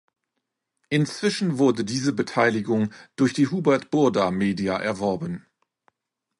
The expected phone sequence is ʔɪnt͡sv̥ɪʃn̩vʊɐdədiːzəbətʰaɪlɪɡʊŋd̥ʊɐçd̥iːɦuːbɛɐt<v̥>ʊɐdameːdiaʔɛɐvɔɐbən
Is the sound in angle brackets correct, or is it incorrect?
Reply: incorrect: b̥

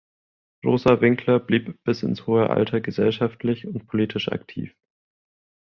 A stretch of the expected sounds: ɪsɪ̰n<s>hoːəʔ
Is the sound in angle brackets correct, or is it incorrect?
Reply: correct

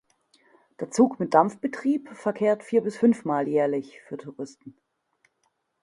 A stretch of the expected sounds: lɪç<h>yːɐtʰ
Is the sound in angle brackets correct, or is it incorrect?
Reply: incorrect: f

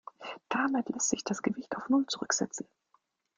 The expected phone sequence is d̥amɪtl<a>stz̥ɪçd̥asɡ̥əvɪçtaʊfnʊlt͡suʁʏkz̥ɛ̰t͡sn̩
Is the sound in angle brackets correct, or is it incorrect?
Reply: incorrect: ɛ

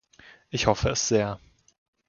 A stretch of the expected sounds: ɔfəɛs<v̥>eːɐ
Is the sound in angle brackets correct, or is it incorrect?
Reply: incorrect: z̥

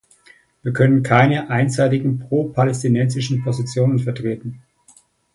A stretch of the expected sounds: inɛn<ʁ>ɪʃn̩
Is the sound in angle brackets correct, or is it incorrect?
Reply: incorrect: z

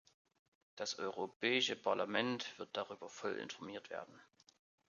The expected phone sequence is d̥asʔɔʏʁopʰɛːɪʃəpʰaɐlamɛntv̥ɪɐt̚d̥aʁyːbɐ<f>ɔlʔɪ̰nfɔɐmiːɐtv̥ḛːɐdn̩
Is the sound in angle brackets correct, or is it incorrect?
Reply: correct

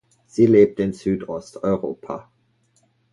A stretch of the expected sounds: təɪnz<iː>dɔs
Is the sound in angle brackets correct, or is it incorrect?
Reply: incorrect: yː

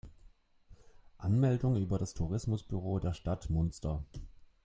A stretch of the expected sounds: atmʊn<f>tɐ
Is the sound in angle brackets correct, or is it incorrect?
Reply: incorrect: s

